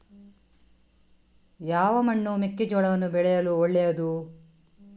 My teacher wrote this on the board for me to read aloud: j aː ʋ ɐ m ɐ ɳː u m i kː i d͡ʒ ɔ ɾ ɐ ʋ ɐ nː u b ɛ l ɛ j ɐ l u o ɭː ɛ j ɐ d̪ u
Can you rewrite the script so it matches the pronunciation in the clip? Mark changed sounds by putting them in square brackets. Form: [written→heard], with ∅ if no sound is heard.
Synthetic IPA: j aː ʋ ɐ m ɐ ɳː u m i kː i d͡ʒ ɔ [ɾ→ɭ] ɐ ʋ ɐ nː u b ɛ [l→ɭ] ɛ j ɐ l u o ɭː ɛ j ɐ d̪ u

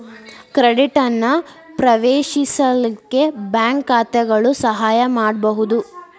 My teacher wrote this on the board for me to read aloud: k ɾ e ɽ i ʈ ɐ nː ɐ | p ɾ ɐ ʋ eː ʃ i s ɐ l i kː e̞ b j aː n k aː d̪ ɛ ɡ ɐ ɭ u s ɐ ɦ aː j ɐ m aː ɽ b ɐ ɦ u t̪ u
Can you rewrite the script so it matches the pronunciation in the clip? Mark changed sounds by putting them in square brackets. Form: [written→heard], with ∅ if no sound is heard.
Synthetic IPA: k ɾ e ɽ i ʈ ɐ nː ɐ | p ɾ ɐ ʋ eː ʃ i s ɐ l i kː e̞ b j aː [n→ŋ] k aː [d̪→t̪] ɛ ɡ ɐ ɭ u s ɐ ɦ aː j ɐ m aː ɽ b ɐ ɦ u [t̪→d̪] u

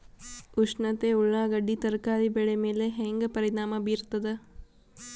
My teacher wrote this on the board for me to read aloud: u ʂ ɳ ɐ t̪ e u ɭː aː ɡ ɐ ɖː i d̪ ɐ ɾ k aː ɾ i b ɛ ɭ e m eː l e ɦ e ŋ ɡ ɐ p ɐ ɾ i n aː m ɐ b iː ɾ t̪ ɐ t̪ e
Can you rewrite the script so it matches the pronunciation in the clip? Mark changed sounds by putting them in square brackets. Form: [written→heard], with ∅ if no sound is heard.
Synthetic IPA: u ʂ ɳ ɐ t̪ e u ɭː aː ɡ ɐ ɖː i [d̪→t̪] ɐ ɾ k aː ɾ i b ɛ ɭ e m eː l e ɦ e ŋ ɡ ɐ p ɐ ɾ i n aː m ɐ b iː ɾ t̪ ɐ [t̪→d̪] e

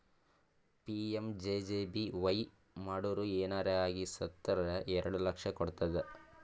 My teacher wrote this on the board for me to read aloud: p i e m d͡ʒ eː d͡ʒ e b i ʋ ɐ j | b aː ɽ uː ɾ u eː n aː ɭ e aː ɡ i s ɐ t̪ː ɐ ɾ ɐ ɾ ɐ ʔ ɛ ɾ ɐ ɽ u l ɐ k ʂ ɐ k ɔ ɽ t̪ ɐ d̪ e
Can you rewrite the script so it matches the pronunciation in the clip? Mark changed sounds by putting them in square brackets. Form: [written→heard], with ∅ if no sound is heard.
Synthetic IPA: p i e m d͡ʒ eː d͡ʒ e b i ʋ ɐ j | [b→m] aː ɽ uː ɾ u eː n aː [ɭ→ɾ] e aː ɡ i s ɐ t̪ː ɐ ɾ ɐ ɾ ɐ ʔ ɛ ɾ ɐ ɽ u l ɐ k ʂ ɐ k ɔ ɽ t̪ ɐ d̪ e

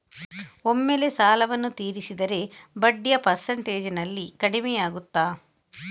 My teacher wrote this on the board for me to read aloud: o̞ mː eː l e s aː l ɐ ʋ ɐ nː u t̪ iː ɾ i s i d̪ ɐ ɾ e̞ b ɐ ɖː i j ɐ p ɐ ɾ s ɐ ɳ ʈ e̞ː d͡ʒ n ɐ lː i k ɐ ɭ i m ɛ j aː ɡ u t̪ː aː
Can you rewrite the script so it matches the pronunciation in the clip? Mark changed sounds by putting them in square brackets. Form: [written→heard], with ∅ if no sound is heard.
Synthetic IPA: o̞ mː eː l e s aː l ɐ ʋ ɐ nː u t̪ iː ɾ i s i d̪ ɐ ɾ e̞ b ɐ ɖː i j ɐ p ɐ ɾ s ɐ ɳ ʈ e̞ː d͡ʒ n ɐ lː i k ɐ [ɭ→ɽ] i m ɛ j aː ɡ u t̪ː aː

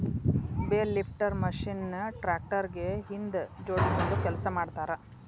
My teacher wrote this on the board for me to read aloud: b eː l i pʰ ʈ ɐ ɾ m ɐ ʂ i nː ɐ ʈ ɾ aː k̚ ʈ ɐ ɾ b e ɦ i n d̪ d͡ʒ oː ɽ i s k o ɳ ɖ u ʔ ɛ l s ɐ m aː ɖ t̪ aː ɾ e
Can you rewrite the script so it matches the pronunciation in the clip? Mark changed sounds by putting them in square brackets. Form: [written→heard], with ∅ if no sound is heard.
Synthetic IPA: b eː l i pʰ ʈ ɐ ɾ m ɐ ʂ i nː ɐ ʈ ɾ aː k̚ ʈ ɐ ɾ [b→ɡ] e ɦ i n d̪ d͡ʒ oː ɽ i s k o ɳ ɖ u [ʔ→k] ɛ l s ɐ m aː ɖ t̪ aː ɾ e

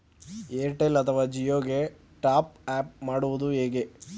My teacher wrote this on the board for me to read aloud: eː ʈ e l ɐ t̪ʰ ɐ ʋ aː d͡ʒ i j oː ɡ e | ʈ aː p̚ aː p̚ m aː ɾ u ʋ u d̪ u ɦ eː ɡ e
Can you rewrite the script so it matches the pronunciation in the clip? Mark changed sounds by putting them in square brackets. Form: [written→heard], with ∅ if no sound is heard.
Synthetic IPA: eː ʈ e l ɐ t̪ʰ ɐ ʋ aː d͡ʒ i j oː ɡ e | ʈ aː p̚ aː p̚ m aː [ɾ→ɽ] u ʋ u d̪ u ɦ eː ɡ e

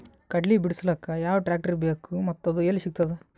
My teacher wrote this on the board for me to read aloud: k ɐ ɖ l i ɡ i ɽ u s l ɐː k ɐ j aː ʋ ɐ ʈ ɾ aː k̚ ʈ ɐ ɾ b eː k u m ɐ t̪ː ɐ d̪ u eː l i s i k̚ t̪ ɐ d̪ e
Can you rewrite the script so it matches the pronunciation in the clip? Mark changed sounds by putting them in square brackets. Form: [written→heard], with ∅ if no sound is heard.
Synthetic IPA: k ɐ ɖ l i [ɡ→b] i ɽ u s l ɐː k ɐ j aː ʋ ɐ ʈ ɾ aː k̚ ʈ ɐ ɾ b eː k u m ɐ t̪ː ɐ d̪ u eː l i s i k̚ t̪ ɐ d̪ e

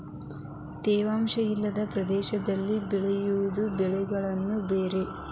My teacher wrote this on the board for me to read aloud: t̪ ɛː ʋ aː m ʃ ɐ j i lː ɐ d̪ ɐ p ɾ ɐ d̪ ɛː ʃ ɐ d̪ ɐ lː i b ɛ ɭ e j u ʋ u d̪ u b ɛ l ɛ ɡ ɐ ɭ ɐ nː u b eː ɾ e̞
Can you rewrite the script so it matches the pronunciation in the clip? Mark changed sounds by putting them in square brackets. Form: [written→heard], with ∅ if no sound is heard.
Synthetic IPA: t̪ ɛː ʋ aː m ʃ ɐ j i lː ɐ d̪ ɐ p ɾ ɐ d̪ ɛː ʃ ɐ d̪ ɐ lː i b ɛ ɭ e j u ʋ u d̪ u b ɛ [l→ɭ] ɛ ɡ ɐ ɭ ɐ nː u b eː ɾ e̞

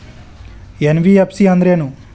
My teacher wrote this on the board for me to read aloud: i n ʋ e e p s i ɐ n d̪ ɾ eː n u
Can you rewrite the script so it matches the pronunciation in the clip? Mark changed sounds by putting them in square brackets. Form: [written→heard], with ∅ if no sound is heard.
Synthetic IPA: [i→e] n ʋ [e→i] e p s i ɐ n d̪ ɾ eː n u

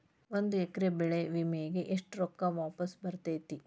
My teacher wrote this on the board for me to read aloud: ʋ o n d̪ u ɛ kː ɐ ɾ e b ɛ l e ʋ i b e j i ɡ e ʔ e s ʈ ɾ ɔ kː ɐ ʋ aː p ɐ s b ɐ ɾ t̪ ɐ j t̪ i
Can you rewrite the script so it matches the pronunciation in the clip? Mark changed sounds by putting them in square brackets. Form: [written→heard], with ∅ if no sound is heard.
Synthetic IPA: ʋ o n d̪ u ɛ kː ɐ ɾ e b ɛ [l→ɭ] e ʋ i [b→m] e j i ɡ e ʔ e [s→ʂ] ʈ ɾ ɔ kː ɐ ʋ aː p ɐ s b ɐ ɾ t̪ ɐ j t̪ i

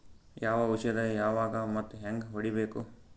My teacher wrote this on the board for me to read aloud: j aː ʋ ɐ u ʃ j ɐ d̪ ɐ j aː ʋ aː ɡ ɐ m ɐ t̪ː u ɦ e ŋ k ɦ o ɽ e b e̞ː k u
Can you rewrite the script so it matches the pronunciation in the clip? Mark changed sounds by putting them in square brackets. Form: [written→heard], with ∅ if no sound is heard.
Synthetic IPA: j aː ʋ ɐ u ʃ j ɐ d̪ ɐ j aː ʋ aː ɡ ɐ m ɐ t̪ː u ɦ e ŋ [k→ɡ] ɦ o ɽ [e→i] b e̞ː k u

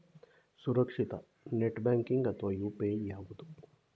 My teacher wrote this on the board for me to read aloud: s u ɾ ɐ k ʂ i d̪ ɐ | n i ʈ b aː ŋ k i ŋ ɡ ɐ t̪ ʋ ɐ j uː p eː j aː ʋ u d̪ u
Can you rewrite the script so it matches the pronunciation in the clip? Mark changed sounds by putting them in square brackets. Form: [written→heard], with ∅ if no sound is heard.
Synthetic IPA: s u ɾ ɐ k ʂ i [d̪→t̪] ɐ | n [i→e] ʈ b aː ŋ k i ŋ ɡ ɐ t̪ ʋ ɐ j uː p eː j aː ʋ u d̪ u

